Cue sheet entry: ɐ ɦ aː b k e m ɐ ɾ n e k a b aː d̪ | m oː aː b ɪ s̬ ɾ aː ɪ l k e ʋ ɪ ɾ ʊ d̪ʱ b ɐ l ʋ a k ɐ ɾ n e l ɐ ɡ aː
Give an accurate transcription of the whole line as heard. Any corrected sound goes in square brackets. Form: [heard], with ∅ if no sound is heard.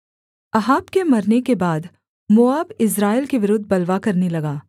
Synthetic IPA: ɐ ɦ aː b k e m ɐ ɾ n e k [e] b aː d̪ | m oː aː b ɪ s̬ ɾ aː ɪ l k e ʋ ɪ ɾ ʊ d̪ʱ b ɐ l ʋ a k ɐ ɾ n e l ɐ ɡ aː